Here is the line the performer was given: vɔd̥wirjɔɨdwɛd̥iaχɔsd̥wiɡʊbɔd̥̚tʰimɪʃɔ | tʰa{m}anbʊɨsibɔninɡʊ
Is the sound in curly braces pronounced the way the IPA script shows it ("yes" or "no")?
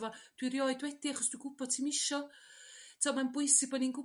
yes